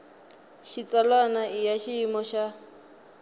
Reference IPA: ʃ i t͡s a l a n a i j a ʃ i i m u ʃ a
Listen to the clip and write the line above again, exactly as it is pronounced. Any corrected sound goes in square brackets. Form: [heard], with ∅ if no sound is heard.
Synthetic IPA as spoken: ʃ i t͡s a l a n a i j a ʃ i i m [ɔ] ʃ a